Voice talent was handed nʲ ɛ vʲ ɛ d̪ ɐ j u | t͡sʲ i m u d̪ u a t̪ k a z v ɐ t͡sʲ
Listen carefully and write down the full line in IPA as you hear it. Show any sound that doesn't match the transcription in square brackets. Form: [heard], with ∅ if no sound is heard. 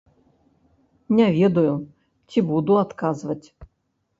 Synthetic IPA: nʲ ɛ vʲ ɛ d̪ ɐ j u | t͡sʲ i [b] u d̪ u a t̪ k a z v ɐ t͡sʲ